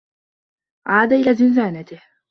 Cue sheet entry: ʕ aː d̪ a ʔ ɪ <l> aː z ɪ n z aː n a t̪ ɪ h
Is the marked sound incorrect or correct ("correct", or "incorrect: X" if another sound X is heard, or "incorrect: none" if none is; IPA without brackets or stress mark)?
correct